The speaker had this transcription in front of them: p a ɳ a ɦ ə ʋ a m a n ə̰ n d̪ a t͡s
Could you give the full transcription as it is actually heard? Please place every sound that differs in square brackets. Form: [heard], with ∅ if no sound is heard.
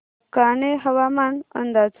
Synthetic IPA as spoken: [k] a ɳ [e] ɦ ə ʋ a m a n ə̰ n d̪ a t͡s